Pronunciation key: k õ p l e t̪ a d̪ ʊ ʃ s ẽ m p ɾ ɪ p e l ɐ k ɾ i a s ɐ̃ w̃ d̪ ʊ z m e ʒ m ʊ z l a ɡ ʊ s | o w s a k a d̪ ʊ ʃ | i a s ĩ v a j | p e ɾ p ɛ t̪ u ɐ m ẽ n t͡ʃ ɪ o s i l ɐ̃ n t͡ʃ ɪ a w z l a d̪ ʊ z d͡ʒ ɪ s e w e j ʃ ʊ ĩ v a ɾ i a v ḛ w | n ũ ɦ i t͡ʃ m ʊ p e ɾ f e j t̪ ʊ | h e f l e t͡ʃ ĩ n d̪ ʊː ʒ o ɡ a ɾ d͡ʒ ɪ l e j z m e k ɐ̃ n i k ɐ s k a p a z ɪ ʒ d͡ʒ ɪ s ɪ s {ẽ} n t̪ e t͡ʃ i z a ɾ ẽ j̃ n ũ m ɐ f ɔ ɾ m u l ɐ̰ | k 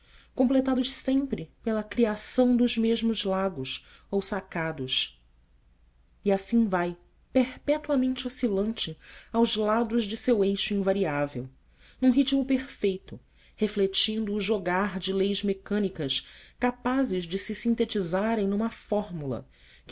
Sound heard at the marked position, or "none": ĩ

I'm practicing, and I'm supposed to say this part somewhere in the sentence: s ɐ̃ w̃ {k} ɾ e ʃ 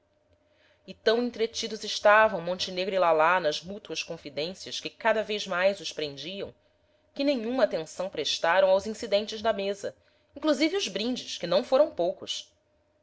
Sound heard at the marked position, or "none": p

